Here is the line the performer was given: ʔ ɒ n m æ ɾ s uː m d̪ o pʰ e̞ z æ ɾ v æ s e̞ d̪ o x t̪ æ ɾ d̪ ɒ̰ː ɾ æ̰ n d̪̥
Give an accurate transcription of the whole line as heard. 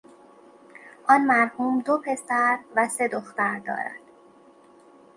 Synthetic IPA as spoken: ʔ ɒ n m æ ɾ h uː m d̪ o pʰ e̞ s æ ɾ v æ s e̞ d̪ o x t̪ æ ɾ d̪ ɒ̰ː ɾ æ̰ n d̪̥